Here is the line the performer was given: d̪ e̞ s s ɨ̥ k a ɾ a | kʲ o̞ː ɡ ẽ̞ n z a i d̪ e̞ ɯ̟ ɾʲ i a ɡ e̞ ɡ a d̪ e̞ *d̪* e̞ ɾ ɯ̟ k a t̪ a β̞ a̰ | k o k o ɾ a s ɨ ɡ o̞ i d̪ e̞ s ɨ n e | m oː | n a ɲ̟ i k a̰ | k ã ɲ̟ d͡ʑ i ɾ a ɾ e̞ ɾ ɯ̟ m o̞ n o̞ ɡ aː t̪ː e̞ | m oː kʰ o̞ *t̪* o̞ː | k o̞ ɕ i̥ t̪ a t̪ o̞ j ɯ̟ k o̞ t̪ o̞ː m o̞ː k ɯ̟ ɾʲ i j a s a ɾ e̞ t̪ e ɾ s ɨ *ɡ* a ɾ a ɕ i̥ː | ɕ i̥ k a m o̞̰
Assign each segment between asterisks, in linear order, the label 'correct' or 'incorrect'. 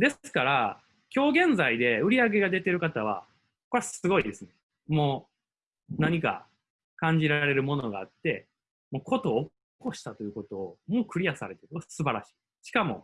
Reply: incorrect, correct, incorrect

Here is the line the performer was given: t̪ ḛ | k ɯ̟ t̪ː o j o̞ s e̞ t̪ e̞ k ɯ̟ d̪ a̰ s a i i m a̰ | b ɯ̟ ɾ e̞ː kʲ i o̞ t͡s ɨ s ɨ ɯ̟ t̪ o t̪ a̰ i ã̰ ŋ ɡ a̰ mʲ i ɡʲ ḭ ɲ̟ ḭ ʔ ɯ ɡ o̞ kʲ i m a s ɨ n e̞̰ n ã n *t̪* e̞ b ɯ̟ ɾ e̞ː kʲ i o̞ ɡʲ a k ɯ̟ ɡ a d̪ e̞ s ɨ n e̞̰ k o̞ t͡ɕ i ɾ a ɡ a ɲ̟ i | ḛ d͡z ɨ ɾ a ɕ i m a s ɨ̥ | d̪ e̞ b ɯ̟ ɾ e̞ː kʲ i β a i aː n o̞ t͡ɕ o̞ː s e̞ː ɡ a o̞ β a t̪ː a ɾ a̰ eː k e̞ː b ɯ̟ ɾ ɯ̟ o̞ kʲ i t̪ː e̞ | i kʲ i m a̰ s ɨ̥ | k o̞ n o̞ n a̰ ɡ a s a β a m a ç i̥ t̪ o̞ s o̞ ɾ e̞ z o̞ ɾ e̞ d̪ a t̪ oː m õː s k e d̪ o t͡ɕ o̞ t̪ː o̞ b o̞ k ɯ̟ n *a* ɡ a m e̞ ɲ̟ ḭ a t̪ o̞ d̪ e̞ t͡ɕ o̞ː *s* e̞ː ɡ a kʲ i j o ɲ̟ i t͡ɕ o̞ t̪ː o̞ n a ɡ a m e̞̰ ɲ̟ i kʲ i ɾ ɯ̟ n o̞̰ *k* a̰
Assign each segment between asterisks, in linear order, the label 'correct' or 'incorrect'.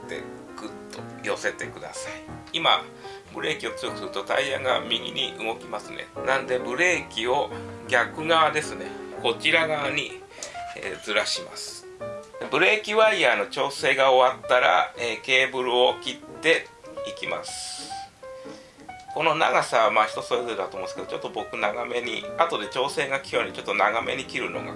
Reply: incorrect, correct, correct, incorrect

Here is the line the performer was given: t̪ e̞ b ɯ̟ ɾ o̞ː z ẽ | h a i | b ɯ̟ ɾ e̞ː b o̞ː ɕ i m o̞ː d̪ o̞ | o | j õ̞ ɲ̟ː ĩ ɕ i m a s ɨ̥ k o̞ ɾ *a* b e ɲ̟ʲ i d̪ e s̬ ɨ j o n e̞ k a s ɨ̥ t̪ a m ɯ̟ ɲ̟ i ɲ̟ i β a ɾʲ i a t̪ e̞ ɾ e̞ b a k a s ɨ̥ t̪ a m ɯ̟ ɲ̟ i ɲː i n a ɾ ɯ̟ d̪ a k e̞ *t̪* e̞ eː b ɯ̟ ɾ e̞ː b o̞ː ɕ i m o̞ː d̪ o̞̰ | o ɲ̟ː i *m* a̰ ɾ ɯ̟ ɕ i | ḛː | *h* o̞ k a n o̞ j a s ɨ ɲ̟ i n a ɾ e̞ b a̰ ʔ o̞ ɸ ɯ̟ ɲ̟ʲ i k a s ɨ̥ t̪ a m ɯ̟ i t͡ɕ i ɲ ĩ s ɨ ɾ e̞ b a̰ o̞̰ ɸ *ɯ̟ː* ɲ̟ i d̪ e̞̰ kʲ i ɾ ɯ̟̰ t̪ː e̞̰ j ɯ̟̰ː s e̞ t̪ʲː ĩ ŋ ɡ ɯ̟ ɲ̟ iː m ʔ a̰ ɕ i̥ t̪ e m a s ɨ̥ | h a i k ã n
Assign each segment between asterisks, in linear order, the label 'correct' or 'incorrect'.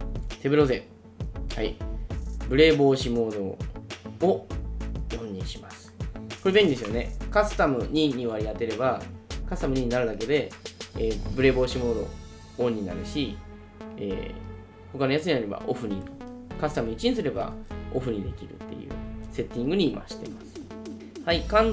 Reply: incorrect, incorrect, incorrect, correct, incorrect

